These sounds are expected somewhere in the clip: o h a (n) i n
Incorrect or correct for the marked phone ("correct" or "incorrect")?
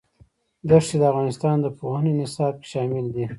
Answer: correct